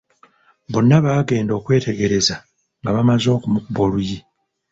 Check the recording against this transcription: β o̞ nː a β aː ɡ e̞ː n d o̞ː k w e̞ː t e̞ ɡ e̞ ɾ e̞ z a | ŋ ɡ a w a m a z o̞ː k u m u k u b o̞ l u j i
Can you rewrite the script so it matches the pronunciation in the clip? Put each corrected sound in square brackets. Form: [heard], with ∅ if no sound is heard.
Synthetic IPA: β o̞ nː a β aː ɡ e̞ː n d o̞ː k w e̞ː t e̞ ɡ e̞ ɾ e̞ z a | ŋ ɡ a [β] a m a z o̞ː k u m u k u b o̞ l u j i